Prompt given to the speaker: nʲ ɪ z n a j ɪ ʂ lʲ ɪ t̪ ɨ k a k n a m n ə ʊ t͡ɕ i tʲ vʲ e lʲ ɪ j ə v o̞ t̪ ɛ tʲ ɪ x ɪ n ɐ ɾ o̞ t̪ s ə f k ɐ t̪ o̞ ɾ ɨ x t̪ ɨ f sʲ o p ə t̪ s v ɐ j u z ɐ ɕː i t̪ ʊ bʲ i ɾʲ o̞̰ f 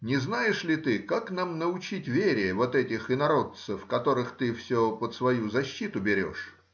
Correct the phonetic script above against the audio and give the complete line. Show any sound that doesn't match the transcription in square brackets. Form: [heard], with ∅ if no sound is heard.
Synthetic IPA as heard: nʲ ɪ z n a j ɪ ʂ lʲ ɪ t̪ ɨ k a k n a m n ə ʊ t͡ɕ i tʲ vʲ e [ɾʲ] ɪ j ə v o̞ t̪ ɛ tʲ ɪ x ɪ n ɐ ɾ o̞ t̪ s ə f k ɐ t̪ o̞ ɾ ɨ x t̪ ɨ f sʲ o p ə t̪ s v ɐ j u z ɐ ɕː i t̪ ʊ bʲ [ɪ] ɾʲ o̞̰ [ʂ]